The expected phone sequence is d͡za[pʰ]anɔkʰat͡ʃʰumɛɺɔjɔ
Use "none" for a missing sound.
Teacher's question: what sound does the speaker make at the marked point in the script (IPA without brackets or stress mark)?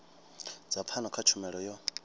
pʰ